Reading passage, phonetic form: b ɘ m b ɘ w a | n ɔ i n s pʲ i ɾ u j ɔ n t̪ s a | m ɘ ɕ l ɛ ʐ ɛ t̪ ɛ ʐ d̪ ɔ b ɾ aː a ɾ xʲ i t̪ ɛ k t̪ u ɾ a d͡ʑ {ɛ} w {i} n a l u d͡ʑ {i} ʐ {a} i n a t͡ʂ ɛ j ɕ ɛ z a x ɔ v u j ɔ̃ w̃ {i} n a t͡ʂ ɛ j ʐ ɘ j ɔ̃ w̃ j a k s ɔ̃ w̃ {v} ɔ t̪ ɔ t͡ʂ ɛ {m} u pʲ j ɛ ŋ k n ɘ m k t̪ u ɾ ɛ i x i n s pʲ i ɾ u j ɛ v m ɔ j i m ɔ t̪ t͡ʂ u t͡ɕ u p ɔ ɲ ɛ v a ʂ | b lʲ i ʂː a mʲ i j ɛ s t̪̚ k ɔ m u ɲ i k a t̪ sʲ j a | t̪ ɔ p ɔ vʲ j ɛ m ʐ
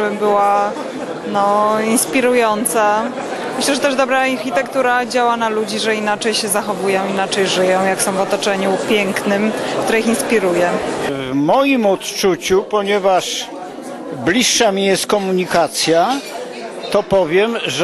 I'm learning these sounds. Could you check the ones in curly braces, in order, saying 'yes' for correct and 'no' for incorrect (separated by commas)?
no, no, yes, no, yes, yes, no